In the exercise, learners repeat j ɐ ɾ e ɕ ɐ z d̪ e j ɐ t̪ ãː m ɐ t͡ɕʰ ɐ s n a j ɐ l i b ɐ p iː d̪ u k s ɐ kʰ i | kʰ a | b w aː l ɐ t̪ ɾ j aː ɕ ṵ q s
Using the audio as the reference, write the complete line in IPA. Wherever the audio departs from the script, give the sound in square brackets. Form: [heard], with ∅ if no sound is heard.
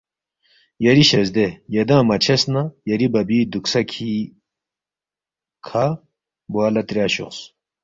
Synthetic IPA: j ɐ ɾ [i] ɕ ɐ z d̪ e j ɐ [d̪] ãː m ɐ t͡ɕʰ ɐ s n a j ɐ [ɾ] i b ɐ [b] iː d̪ u k s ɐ kʰ i | kʰ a | b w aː l ɐ t̪ ɾ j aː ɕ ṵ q s